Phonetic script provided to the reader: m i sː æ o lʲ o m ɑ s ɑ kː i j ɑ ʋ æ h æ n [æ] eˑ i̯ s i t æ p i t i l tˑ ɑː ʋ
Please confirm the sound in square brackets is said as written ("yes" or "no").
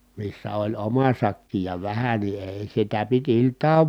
no